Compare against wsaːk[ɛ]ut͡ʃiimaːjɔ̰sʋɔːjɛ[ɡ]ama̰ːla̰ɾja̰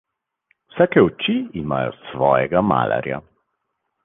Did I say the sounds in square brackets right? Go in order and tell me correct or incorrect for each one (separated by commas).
correct, correct